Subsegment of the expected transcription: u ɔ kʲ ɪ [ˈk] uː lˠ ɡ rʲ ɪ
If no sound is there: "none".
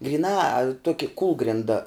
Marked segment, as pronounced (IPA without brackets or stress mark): k